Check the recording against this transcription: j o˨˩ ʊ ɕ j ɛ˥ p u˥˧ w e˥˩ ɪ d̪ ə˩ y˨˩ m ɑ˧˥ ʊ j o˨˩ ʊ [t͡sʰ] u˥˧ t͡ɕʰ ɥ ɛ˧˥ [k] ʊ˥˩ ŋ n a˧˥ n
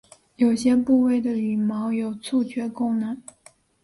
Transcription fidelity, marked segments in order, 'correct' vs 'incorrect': correct, correct

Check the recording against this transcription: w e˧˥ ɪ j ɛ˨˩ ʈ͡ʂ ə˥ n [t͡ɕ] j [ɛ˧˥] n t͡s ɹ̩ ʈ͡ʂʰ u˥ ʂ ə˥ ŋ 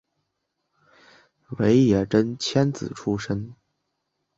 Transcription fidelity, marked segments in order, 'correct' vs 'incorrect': incorrect, incorrect

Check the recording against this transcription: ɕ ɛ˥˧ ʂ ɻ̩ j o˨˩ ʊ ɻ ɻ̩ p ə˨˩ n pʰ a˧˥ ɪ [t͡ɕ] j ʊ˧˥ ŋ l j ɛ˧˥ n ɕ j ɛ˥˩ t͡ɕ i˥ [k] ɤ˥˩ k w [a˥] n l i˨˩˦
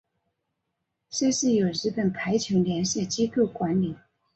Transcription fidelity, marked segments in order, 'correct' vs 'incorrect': incorrect, correct, incorrect

